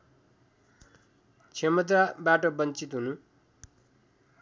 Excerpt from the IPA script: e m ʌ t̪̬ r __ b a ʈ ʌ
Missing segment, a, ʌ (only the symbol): a